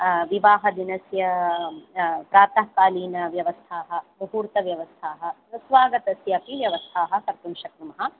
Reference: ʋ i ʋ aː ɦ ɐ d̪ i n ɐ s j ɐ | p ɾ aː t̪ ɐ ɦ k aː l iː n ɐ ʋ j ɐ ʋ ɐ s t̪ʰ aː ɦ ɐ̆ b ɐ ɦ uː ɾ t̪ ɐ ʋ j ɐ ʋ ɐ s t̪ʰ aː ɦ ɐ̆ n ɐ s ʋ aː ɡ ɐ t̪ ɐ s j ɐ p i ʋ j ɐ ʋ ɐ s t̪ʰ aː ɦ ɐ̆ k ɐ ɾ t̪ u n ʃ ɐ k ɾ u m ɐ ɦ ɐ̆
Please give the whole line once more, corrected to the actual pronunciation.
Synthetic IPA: ʋ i ʋ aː ɦ ɐ d̪ i n ɐ s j ɐ | p ɾ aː t̪ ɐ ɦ k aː l iː n ɐ ʋ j ɐ ʋ ɐ s t̪ʰ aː ɦ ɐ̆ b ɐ ɦ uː ɾ t̪ ɐ ʋ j ɐ ʋ ɐ s t̪ʰ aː ɦ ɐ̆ n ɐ s ʋ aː ɡ ɐ t̪ ɐ s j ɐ p i ʋ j ɐ ʋ ɐ s t̪ʰ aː ɦ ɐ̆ k ɐ ɾ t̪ u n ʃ ɐ k ɾ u m ɐ ɦ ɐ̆

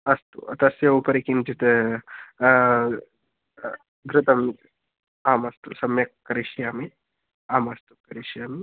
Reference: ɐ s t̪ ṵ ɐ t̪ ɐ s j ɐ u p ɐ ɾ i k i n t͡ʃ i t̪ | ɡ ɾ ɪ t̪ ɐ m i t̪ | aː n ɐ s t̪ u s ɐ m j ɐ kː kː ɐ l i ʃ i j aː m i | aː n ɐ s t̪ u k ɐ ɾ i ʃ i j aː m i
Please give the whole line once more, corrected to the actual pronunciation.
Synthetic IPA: ɐ s t̪ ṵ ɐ t̪ ɐ s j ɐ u p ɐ ɾ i k i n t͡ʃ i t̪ | ɡ ɾ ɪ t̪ ɐ m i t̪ | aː m ɐ s t̪ u s ɐ m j ɐ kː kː ɐ ɾ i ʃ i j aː m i | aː m ɐ s t̪ u k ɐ ɾ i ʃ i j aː m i

